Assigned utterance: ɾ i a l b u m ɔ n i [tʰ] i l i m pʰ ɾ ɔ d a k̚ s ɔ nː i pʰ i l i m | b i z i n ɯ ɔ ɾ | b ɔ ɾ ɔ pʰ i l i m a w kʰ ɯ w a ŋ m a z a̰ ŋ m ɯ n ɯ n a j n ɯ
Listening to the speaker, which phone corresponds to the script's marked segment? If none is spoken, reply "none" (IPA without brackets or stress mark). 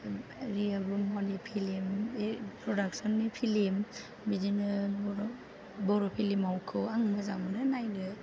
pʰ